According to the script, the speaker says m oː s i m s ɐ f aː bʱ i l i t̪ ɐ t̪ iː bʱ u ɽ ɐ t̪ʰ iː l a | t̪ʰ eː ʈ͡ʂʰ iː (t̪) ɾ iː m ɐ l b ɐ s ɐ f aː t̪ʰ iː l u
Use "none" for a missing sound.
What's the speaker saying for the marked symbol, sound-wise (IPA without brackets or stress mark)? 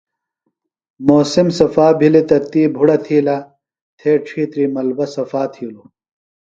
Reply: t̪